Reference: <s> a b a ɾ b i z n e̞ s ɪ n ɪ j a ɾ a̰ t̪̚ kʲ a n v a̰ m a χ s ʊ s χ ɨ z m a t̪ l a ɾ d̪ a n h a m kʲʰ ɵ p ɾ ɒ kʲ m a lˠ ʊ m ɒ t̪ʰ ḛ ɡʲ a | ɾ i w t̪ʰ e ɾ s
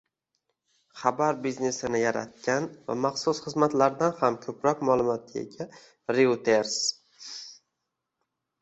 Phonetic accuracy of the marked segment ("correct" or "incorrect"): incorrect